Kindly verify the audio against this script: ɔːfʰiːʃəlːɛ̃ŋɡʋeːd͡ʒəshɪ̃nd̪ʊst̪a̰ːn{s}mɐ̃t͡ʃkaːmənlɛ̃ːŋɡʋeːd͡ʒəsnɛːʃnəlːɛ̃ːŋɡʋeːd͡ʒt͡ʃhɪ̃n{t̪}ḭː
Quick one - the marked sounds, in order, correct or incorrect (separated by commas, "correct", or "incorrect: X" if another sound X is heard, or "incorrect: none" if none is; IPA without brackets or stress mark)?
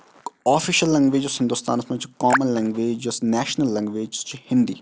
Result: correct, incorrect: d̪